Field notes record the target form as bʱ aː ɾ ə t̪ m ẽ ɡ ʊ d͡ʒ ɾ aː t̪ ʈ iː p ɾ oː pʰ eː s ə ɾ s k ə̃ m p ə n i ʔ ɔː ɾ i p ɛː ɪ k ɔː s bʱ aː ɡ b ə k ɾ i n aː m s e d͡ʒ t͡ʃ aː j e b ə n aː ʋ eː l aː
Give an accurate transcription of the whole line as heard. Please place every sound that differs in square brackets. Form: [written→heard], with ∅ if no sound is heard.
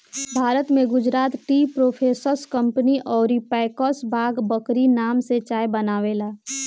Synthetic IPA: bʱ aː ɾ ə t̪ m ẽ ɡ ʊ d͡ʒ ɾ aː t̪ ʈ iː p ɾ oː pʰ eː s ə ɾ s k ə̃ m p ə n i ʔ ɔː ɾ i p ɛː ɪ k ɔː s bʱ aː ɡ b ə k ɾ i n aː m s e [d͡ʒ→∅] t͡ʃ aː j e b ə n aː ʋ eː l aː